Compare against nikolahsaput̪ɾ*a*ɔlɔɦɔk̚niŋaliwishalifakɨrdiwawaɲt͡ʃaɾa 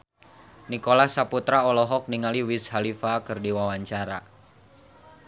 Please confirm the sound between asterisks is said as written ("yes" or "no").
yes